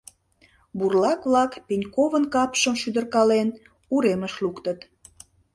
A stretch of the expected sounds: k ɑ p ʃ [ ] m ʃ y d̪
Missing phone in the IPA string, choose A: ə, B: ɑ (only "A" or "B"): A